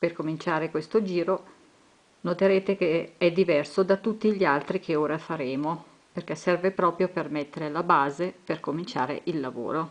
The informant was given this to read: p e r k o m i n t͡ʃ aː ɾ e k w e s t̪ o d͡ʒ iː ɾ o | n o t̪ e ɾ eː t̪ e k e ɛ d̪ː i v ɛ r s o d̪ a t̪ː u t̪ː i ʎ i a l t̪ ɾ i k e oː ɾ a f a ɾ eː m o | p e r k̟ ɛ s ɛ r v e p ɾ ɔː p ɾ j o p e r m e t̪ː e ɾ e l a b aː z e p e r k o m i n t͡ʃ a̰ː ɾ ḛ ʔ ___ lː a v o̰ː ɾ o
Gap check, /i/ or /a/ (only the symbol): i